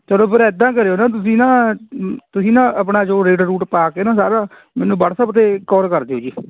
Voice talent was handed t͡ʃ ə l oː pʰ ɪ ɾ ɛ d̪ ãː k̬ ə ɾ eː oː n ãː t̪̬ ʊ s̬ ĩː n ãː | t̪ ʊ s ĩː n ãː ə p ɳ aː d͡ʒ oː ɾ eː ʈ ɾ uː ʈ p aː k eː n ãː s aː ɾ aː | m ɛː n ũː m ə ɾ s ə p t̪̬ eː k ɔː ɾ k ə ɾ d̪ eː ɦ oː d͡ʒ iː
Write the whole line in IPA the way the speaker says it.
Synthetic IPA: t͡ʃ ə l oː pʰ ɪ ɾ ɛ d̪ ãː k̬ ə ɾ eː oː n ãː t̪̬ ʊ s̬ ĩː n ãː | t̪ ʊ s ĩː n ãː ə p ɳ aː d͡ʒ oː ɾ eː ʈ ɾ uː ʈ p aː k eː n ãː s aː ɾ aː | m ɛː n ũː b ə ɽ s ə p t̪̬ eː k ɔː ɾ k ə ɾ d̪ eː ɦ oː d͡ʒ iː